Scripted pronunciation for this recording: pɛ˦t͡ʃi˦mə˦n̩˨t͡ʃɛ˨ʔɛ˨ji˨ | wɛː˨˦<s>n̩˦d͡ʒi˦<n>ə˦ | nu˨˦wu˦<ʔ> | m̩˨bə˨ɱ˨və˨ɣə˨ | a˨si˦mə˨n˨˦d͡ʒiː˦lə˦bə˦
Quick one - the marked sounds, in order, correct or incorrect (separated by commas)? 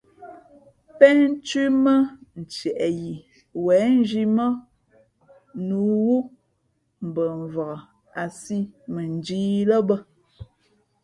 incorrect, incorrect, incorrect